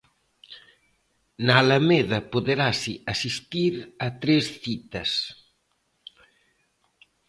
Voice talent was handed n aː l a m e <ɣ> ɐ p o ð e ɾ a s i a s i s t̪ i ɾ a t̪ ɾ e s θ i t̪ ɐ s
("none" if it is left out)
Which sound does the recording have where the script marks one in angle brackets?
ð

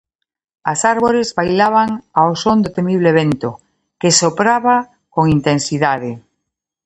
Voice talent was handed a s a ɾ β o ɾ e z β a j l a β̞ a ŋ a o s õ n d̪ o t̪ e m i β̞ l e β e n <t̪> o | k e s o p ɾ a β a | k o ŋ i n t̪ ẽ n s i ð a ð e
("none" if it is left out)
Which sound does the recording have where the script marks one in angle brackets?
t̪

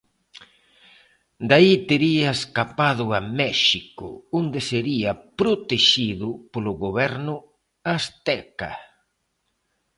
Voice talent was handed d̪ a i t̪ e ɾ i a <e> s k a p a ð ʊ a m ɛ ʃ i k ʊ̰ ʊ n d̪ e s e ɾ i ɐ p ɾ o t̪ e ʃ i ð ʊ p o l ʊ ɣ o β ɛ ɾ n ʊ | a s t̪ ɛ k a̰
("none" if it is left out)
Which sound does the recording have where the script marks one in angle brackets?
e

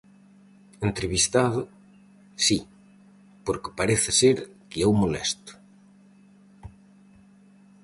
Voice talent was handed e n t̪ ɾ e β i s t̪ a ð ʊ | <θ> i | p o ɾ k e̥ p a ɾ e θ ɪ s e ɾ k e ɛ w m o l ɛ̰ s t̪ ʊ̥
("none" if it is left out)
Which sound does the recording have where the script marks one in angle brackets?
s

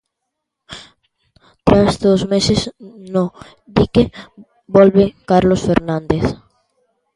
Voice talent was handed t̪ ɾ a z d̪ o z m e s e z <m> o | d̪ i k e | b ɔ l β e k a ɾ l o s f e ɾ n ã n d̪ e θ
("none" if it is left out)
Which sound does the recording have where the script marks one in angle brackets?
n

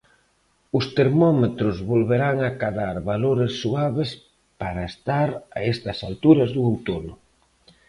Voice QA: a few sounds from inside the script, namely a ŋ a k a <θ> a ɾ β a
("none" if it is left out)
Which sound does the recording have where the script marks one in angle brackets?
ð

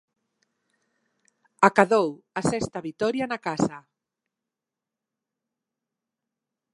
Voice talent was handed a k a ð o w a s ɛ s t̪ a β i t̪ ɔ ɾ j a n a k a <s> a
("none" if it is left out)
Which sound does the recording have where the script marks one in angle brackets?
s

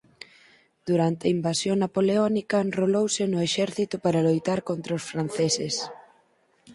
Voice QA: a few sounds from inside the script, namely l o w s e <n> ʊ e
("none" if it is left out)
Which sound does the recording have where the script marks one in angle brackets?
n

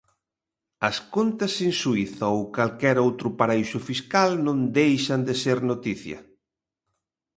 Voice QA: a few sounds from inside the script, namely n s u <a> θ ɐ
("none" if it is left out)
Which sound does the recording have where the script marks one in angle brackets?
i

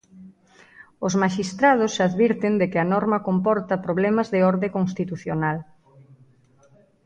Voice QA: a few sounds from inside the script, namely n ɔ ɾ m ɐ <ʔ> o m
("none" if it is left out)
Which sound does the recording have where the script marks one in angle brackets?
k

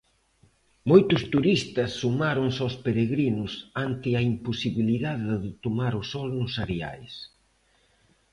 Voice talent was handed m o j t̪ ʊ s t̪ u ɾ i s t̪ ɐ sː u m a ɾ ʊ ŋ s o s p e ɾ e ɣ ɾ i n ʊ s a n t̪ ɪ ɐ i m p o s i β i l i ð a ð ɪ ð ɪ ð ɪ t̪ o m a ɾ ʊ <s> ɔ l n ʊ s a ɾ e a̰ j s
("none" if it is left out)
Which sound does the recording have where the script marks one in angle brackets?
s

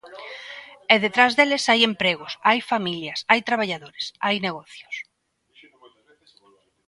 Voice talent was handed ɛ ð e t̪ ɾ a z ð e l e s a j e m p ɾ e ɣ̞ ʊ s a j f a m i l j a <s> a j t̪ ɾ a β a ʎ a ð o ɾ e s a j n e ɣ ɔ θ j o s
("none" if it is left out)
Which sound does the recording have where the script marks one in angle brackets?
s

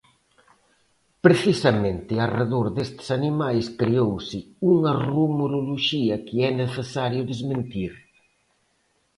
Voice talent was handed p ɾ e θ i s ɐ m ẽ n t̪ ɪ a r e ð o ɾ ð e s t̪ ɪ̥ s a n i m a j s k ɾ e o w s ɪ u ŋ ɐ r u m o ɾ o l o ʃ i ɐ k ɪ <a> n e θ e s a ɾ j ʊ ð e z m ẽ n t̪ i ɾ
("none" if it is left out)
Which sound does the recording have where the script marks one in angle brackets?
ɛ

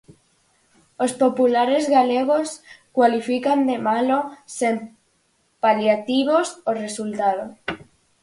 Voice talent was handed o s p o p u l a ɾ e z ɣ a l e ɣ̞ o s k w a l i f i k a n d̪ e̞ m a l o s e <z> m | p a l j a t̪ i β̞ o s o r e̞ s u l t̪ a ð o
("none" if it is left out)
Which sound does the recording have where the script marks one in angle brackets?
none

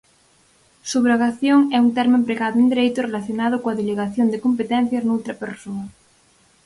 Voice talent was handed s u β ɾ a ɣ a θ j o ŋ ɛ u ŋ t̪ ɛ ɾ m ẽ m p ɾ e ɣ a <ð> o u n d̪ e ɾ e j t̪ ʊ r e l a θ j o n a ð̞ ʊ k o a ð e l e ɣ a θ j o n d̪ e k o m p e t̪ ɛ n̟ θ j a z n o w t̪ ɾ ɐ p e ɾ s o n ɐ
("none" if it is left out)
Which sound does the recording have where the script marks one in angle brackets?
ð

